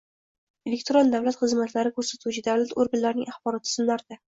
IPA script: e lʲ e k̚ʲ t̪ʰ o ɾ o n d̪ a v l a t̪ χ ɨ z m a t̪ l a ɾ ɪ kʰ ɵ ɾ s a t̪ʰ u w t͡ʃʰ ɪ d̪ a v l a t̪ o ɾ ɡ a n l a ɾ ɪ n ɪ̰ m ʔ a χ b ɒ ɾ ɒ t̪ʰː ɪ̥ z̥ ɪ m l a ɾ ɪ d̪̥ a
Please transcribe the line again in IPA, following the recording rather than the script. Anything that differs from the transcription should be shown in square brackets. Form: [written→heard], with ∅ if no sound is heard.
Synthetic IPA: e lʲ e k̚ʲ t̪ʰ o ɾ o n d̪ a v l a t̪ χ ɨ z m a t̪ l a ɾ ɪ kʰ ɵ ɾ s a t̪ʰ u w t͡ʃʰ ɪ d̪ a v l a t̪ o ɾ ɡ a n l a ɾ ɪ n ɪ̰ [m→ŋ] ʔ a χ b ɒ ɾ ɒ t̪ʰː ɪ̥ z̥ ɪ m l a ɾ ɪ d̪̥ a